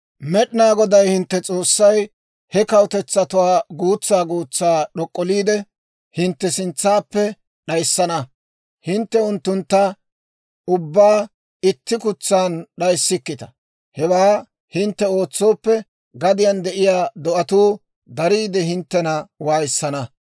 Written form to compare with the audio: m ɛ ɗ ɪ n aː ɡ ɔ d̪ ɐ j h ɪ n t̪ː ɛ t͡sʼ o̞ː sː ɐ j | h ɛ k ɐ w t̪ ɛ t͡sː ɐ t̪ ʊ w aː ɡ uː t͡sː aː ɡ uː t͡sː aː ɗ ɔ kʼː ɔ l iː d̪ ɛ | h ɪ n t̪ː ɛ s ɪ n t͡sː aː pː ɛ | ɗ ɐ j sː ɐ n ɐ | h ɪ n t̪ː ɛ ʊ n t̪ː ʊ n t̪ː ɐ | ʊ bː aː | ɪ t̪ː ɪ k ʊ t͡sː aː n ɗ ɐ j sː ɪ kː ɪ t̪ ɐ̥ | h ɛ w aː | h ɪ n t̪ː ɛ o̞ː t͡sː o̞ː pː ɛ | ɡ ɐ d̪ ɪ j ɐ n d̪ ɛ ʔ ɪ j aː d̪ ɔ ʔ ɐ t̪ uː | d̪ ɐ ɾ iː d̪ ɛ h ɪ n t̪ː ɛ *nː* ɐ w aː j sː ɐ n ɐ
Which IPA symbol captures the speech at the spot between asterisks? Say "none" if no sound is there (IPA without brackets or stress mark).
n